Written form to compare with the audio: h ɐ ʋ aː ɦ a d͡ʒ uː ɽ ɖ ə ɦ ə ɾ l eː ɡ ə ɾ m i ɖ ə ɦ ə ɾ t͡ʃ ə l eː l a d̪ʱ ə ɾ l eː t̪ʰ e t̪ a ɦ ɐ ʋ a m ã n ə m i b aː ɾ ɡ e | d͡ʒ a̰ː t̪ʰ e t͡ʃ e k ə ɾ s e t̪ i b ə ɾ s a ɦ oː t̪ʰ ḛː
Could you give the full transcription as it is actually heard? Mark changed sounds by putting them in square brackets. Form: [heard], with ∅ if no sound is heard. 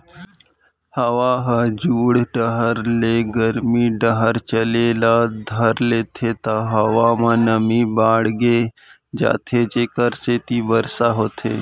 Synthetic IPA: h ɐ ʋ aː ɦ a d͡ʒ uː ɽ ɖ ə ɦ ə ɾ l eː ɡ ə ɾ m i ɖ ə ɦ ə ɾ t͡ʃ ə l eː l a d̪ʱ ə ɾ l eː t̪ʰ e t̪ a ɦ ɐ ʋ a m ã n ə m i b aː [ɽ] ɡ e | d͡ʒ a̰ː t̪ʰ e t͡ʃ e k ə ɾ s e t̪ i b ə ɾ s a ɦ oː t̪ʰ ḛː